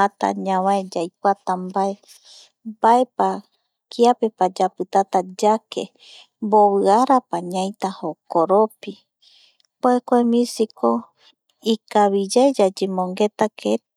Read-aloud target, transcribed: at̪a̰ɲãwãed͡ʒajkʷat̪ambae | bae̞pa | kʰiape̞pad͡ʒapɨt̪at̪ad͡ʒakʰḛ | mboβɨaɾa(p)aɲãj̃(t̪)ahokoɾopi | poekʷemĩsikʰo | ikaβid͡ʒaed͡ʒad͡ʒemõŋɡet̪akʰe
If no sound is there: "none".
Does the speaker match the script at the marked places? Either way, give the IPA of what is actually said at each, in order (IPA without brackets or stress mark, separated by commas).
p, t̪